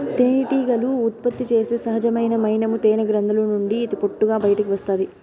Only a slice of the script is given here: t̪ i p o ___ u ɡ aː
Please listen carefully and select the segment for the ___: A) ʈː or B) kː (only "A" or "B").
A